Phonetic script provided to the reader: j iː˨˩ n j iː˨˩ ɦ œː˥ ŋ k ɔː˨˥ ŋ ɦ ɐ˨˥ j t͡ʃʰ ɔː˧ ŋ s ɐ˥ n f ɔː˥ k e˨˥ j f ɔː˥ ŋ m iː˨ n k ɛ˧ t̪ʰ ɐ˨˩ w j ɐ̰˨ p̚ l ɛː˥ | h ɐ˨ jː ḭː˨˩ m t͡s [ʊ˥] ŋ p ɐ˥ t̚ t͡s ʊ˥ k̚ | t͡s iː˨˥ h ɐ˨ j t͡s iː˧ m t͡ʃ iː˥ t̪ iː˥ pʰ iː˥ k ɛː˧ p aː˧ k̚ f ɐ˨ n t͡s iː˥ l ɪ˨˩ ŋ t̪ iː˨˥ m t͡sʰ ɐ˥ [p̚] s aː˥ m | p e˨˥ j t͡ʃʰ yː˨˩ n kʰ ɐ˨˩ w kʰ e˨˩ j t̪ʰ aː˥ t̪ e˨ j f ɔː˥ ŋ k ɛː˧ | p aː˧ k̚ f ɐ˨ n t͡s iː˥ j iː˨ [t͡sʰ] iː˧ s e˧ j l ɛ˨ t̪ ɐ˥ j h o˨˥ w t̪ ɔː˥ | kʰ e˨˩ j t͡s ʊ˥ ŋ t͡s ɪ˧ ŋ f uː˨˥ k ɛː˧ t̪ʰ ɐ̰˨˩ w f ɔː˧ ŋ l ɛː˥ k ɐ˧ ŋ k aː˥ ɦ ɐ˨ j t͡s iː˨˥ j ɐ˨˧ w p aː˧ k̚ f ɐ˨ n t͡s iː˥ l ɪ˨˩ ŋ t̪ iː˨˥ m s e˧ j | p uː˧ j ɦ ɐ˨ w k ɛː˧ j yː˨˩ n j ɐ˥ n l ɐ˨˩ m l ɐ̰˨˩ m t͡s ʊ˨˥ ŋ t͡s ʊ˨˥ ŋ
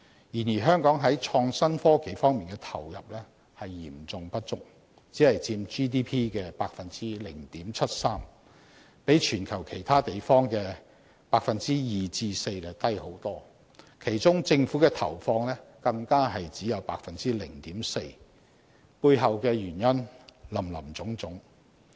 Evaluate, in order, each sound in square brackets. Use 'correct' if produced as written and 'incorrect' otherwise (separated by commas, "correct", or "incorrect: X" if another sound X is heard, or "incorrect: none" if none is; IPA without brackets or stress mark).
incorrect: ʊ˨, incorrect: t̚, incorrect: t͡s